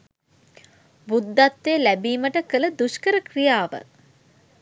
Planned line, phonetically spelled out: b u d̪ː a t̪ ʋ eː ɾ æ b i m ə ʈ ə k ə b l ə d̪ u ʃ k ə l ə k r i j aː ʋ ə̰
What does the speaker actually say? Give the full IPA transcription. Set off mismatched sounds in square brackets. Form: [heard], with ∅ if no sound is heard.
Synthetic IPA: b u d̪ː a t̪ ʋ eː [l] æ b [iː] m ə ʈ ə k ə [∅] l ə d̪ u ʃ k ə [ɾ] ə k r i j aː ʋ ə̰